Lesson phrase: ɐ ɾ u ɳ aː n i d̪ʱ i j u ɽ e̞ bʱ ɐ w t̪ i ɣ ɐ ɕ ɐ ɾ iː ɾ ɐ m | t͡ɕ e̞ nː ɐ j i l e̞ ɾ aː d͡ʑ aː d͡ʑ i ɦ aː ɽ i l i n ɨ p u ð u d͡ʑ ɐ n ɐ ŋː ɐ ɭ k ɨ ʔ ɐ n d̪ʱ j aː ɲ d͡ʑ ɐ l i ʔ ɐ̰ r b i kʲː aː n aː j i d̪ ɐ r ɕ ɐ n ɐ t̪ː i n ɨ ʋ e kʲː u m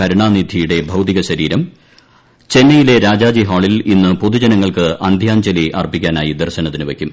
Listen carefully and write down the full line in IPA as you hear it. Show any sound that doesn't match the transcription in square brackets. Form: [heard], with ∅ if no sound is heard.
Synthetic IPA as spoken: ɐ ɾ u ɳ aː n i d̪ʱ i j u ɽ e̞ bʱ ɐ w t̪ i ɣ ɐ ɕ ɐ ɾ iː ɾ ɐ m | t͡ɕ e̞ nː ɐ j i l e̞ ɾ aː d͡ʑ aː d͡ʑ i ɦ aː [ɭ] i l i [nː] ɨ p [o] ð u d͡ʑ ɐ n ɐ ŋː ɐ ɭ k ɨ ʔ ɐ n d̪ʱ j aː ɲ d͡ʑ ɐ l i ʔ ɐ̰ r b i kʲː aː n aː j i d̪ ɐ r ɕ ɐ n ɐ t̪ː i n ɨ ʋ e kʲː u m